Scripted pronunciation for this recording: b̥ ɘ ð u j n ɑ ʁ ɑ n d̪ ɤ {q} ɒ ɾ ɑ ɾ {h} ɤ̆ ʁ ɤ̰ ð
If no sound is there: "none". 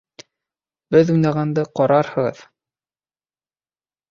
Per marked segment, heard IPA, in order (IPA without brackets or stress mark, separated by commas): q, h